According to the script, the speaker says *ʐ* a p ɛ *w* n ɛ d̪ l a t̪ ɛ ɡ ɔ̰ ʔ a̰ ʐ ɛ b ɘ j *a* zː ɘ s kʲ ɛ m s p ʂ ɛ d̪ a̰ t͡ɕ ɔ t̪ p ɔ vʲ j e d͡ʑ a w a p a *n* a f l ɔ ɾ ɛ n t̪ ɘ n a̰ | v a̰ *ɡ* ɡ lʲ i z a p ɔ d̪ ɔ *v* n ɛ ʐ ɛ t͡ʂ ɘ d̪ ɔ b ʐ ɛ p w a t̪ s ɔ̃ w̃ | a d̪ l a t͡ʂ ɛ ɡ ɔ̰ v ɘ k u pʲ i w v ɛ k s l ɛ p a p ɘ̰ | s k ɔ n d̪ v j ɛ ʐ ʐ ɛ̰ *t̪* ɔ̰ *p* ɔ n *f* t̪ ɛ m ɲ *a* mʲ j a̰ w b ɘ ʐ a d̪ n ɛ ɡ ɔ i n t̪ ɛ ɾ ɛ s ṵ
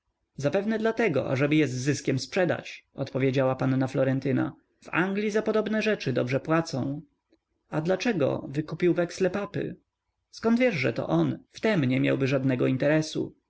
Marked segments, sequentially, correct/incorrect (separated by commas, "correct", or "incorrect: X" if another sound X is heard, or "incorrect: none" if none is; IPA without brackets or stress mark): incorrect: z, incorrect: v, incorrect: ɛ, incorrect: nː, incorrect: ŋ, incorrect: b, correct, incorrect: ʔ, correct, incorrect: ɛ